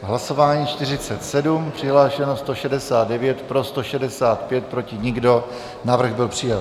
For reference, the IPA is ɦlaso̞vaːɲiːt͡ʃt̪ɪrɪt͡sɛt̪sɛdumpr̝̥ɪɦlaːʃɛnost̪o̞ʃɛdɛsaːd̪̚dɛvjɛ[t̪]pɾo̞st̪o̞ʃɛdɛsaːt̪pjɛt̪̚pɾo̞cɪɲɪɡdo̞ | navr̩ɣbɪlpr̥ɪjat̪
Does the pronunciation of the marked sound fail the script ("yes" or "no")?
no